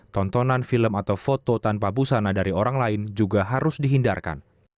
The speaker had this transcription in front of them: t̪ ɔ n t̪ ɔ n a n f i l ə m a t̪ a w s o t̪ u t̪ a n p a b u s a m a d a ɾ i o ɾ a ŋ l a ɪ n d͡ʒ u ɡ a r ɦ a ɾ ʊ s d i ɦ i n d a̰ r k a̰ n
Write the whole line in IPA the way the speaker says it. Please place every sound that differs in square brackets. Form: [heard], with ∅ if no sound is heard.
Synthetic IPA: t̪ ɔ n t̪ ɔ n a n f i l ə m a t̪ a w [f] o t̪ [o] t̪ a n p a b u s a [n] a d a ɾ i o ɾ a ŋ l a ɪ n d͡ʒ u ɡ a [∅] ɦ a ɾ ʊ s d i ɦ i n d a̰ r k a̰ n